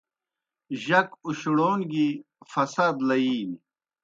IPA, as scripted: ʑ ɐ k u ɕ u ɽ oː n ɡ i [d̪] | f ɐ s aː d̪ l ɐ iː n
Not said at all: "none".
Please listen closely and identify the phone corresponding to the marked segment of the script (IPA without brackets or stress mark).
none